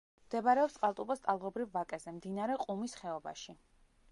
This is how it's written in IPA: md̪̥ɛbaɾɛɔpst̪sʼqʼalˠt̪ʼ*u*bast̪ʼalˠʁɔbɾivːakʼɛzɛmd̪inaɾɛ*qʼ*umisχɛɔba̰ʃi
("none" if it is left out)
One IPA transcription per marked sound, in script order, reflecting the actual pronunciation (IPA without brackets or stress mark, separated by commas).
u, qʼ